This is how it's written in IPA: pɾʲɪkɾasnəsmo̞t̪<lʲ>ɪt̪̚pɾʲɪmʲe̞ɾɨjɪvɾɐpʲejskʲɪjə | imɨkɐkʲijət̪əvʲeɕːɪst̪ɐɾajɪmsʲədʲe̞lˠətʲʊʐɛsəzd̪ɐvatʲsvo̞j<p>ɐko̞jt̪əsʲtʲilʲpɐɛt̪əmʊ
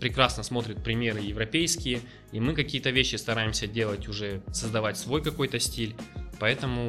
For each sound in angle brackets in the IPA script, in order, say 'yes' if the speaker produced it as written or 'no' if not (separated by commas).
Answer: no, no